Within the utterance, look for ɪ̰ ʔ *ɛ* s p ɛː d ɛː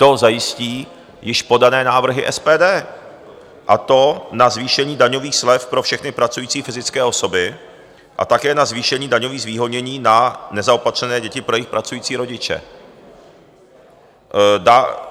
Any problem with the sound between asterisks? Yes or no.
no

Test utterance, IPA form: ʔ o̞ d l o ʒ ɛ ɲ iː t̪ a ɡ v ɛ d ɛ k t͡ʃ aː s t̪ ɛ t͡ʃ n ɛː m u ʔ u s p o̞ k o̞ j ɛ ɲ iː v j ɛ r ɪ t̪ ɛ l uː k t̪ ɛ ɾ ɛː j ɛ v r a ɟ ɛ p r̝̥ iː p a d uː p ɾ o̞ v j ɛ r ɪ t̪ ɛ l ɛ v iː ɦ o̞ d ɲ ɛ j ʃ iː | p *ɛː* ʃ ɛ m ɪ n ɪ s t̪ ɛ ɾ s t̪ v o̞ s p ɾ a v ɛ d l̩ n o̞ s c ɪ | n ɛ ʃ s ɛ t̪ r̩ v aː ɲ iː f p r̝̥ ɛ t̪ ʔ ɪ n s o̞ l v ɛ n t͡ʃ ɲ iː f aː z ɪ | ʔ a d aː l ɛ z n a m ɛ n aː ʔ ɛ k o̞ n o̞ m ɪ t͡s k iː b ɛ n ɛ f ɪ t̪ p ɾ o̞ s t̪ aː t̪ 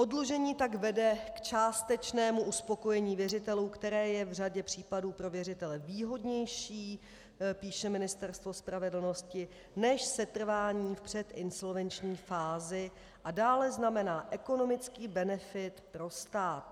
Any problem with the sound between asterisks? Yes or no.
yes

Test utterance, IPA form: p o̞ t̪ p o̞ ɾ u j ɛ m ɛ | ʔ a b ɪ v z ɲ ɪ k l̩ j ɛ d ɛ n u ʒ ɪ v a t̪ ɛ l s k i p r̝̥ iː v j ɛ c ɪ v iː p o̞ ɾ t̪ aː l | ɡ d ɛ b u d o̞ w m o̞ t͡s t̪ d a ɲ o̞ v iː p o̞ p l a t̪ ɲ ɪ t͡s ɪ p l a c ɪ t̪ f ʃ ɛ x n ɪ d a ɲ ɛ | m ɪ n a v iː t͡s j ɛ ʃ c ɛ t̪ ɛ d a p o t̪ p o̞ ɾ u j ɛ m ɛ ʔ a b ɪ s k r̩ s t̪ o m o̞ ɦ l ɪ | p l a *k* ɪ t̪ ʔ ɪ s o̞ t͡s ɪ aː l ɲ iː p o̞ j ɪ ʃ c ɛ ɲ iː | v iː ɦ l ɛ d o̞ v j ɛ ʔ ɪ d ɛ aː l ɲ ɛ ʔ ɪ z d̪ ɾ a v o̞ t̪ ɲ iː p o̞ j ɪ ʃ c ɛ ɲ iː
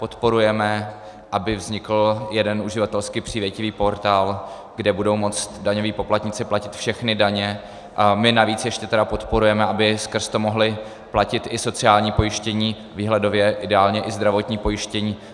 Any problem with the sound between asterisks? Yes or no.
yes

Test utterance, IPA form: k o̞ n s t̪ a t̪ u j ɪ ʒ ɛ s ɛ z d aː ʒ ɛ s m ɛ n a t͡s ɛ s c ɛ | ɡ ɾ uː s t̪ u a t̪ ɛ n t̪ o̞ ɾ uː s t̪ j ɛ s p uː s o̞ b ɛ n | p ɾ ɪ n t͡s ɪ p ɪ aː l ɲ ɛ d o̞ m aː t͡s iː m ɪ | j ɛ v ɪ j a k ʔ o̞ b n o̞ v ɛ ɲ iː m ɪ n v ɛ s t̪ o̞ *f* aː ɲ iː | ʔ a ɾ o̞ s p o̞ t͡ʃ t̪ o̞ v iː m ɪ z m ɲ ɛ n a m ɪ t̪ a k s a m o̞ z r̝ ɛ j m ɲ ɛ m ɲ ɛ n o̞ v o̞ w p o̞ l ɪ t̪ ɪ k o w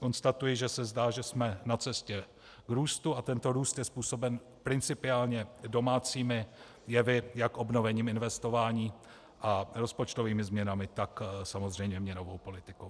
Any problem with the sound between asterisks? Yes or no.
yes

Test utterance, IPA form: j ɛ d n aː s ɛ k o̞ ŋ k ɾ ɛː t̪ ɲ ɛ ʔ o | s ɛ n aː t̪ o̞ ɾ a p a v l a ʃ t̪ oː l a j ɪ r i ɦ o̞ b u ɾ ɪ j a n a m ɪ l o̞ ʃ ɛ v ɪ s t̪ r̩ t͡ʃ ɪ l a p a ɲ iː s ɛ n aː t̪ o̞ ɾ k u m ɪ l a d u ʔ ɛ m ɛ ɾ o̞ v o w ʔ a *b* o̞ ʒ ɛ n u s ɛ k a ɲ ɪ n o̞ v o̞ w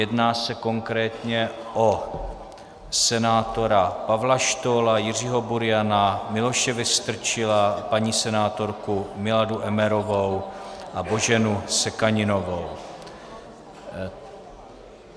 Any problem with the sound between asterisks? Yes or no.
no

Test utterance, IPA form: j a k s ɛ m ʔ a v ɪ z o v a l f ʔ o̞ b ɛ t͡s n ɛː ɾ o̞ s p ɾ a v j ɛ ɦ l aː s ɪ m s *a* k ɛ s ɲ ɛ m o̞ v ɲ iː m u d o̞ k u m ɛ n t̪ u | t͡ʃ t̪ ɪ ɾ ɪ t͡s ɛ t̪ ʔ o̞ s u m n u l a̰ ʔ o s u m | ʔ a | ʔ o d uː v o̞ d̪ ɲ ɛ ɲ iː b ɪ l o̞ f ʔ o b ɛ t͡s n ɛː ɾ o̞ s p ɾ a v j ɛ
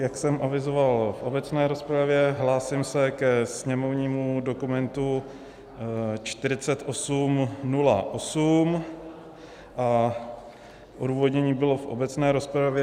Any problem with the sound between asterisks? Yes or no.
yes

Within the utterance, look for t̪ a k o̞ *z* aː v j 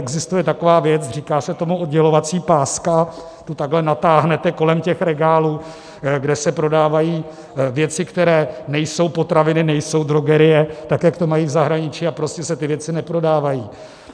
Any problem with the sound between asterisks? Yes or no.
yes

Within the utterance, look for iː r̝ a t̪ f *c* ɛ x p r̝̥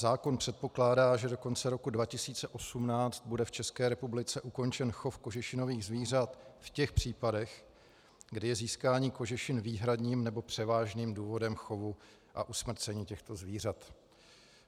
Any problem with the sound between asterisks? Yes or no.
no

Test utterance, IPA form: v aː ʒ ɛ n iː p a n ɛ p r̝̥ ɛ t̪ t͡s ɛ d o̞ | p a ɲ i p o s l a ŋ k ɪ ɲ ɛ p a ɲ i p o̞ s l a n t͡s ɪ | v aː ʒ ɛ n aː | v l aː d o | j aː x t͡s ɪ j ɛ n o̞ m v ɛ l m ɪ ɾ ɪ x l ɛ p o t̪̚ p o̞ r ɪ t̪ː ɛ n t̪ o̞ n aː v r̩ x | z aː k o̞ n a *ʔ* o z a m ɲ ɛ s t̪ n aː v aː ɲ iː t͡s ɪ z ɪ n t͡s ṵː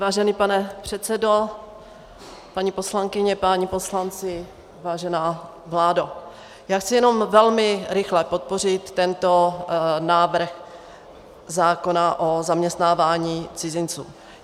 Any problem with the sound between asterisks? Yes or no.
no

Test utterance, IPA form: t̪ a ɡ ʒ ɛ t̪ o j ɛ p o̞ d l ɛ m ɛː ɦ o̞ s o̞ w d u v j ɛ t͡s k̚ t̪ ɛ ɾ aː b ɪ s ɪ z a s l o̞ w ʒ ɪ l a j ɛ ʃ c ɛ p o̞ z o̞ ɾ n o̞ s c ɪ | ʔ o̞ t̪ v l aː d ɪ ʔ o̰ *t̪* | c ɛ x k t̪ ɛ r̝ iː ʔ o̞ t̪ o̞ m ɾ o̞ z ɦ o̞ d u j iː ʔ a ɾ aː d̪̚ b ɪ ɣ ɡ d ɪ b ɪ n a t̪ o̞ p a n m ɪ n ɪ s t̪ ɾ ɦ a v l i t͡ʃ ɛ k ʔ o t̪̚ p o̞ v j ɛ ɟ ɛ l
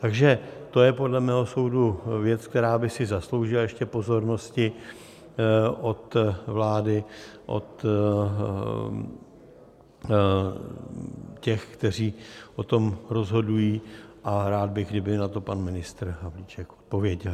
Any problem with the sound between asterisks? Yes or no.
no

